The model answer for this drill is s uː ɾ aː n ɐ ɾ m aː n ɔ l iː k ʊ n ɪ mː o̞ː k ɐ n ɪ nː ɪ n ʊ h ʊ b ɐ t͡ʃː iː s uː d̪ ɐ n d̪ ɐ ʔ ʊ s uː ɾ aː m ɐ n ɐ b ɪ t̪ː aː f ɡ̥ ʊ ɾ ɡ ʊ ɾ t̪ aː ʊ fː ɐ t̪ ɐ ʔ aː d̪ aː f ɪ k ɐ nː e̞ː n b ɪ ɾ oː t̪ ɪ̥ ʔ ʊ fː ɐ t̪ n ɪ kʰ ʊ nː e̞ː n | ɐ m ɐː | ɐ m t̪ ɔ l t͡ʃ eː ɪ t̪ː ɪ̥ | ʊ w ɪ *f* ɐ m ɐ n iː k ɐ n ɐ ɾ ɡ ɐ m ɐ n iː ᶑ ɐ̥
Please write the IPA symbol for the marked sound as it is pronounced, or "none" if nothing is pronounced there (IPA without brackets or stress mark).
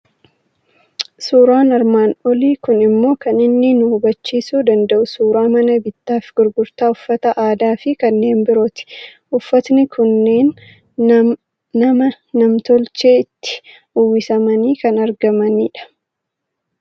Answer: s